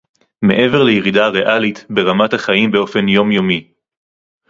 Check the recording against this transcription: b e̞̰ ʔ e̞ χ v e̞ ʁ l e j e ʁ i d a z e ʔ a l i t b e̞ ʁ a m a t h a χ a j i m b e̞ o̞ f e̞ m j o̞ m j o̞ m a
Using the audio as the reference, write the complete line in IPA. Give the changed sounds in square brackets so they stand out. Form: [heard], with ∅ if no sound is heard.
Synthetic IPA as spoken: [m] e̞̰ ʔ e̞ [∅] v e̞ ʁ l e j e ʁ i d a [ʁ] e ʔ a l i t b e̞ ʁ a m a t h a χ a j i m b e̞ o̞ f e̞ [n] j o̞ m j o̞ m [i]